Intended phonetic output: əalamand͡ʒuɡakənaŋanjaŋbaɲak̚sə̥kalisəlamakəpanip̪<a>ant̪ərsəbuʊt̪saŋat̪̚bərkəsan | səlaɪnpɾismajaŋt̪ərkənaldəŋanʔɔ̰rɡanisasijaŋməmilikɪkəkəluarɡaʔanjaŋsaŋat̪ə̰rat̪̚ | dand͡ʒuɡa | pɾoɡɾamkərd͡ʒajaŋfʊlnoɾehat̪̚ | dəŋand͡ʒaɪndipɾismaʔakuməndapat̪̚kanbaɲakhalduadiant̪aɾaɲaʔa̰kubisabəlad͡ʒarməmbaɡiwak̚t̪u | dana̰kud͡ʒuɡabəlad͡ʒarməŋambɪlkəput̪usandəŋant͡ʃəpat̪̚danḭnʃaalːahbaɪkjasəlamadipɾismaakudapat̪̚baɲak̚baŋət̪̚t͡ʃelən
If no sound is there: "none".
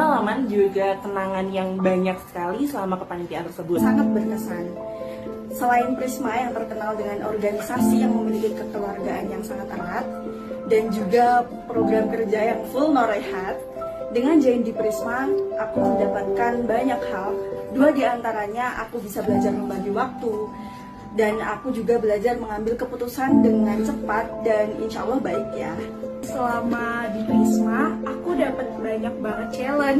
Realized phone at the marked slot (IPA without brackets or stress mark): i